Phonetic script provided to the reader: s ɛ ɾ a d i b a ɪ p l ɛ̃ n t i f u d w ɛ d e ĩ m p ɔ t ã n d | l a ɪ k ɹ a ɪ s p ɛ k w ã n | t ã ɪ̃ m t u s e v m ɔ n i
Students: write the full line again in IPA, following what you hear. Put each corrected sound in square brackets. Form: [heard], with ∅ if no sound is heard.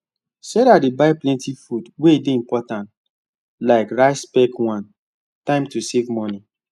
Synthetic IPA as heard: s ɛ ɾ a d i b a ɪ p l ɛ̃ n t i f u d w [e] d e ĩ m p ɔ t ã n [t] | l a ɪ k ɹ a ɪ s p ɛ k w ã n | t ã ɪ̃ m t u s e v m ɔ n i